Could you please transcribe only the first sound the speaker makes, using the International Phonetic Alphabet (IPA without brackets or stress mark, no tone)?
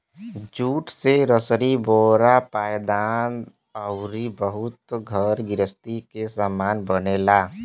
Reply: d͡ʒ